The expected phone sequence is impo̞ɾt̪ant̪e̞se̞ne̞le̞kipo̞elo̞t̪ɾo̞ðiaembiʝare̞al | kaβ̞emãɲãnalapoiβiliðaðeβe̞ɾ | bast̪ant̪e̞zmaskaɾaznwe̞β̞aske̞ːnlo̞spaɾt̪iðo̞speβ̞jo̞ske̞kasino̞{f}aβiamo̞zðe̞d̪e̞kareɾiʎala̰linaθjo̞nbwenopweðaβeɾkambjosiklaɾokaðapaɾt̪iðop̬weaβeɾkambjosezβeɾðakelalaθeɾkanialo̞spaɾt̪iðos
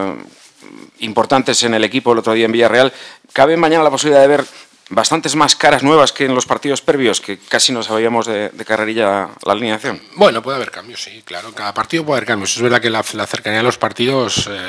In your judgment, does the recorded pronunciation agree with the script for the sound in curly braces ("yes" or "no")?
no